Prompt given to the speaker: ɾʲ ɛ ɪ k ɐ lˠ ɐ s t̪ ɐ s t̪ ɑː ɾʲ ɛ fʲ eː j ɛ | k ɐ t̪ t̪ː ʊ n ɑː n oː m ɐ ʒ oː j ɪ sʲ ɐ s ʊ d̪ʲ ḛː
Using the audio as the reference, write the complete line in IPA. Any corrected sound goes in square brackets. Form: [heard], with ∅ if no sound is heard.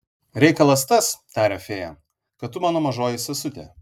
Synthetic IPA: ɾʲ ɛ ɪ k ɐ lˠ ɐ s t̪ ɐ s t̪ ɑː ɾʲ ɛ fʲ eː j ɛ | k ɐ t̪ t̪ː ʊ [m] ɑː n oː m ɐ ʒ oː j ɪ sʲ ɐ s ʊ [t̪ʲ] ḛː